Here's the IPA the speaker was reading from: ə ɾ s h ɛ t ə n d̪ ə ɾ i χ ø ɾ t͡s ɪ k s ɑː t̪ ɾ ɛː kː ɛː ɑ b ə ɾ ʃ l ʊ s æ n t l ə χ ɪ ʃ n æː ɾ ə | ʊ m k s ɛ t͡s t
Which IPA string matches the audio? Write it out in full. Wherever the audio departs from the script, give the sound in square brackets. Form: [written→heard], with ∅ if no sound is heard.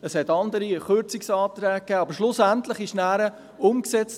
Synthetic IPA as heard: ə [ɾ→∅] s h ɛ t [ə→ɑ] n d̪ ə ɾ i χ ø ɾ t͡s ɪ k s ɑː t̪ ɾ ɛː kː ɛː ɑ b ə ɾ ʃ l ʊ s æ n t l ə χ ɪ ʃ n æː ɾ ə | ʊ m k s ɛ t͡s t